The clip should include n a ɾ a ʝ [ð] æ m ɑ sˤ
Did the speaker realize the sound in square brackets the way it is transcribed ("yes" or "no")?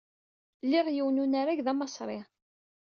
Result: yes